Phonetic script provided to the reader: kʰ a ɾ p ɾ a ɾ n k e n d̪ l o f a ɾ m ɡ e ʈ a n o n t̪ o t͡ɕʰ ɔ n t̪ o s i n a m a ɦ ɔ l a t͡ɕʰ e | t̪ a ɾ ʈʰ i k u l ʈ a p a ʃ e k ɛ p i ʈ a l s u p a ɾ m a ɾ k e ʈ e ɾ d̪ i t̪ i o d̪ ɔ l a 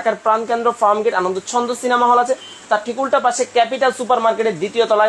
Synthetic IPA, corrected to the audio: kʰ a ɾ p ɾ a n k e n d̪ ɾ o f a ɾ m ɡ e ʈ a n o n d̪ o t͡ɕʰ ɔ n d̪ o s i n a m a ɦ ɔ l a t͡ɕʰ e | t̪ a ɾ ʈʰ i k u l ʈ a p a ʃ e k ɛ p i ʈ a l s u p a ɾ m a ɾ k e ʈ e ɾ d̪ i t̪ i o t̪ ɔ l a